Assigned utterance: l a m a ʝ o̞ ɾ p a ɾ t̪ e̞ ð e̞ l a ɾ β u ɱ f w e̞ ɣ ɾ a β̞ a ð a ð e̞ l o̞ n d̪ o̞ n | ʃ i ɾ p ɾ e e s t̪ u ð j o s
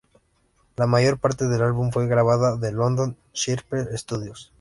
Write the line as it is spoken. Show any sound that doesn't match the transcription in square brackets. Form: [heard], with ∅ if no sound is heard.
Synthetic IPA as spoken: l a m a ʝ o̞ ɾ p a ɾ t̪ e̞ ð e̞ l a [l] β u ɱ f w e̞ ɣ ɾ a β̞ a ð a ð e̞ l o̞ n d̪ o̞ n | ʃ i ɾ p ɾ e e s t̪ u ð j o s